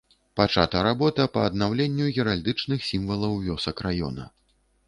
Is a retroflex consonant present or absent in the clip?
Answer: present